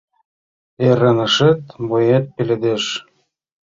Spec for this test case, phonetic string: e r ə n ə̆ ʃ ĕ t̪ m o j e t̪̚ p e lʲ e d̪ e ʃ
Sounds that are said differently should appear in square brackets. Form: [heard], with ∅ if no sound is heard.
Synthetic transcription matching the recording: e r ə n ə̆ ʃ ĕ t̪ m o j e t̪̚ p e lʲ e d̪ e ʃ